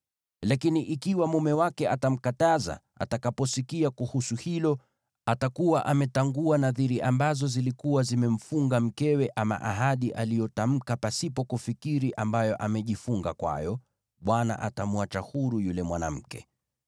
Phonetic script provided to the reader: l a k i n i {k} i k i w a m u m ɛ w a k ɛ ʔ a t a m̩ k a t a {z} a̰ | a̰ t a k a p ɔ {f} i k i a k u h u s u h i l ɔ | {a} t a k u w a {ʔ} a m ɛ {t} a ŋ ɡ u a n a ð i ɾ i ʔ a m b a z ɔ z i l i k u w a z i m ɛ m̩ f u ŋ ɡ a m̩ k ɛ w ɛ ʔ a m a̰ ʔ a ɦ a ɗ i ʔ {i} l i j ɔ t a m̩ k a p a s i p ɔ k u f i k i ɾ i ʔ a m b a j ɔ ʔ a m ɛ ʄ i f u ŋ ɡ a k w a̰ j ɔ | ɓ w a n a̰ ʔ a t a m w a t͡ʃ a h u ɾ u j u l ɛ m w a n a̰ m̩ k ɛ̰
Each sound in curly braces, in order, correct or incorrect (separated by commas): incorrect, correct, incorrect, correct, correct, correct, incorrect